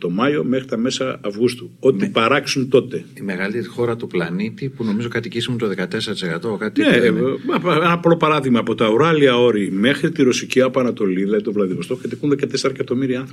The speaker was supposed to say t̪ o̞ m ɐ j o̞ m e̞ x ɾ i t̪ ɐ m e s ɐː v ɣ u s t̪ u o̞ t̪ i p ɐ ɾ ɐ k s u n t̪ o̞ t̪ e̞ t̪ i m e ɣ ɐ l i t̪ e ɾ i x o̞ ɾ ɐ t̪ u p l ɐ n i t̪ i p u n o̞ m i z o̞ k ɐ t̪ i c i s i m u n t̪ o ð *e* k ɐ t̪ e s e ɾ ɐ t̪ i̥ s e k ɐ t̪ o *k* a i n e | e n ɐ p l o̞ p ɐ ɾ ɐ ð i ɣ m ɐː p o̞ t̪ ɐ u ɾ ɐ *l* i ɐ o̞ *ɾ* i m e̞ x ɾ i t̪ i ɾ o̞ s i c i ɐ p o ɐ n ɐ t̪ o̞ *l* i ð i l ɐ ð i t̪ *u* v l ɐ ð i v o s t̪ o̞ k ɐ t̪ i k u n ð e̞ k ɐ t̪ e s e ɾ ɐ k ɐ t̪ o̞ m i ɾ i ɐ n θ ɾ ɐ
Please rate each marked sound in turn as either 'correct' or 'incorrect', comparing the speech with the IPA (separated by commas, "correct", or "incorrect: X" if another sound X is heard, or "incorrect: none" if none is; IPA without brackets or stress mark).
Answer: correct, correct, correct, correct, correct, incorrect: o